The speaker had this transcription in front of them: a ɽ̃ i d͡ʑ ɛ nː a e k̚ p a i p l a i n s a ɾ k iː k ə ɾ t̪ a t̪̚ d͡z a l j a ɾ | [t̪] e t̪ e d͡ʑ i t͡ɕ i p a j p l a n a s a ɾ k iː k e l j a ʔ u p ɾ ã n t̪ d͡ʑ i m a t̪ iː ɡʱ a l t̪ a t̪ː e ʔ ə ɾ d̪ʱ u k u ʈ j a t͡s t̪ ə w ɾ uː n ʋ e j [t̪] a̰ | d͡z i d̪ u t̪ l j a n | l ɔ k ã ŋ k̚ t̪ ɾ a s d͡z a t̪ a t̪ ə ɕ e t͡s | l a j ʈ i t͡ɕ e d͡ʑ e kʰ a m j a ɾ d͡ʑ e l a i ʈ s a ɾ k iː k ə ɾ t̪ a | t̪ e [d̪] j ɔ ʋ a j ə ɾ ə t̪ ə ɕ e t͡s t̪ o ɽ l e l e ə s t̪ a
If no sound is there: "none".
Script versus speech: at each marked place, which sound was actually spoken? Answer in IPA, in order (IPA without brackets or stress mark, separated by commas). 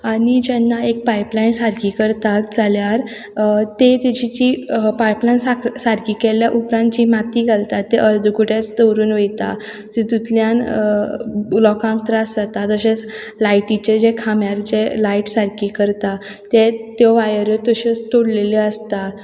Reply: t̪, t̪, t̪